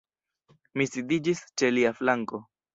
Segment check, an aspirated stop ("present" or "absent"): absent